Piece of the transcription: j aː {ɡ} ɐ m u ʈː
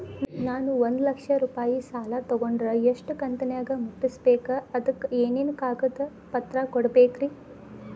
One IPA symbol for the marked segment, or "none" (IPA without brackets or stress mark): ɡ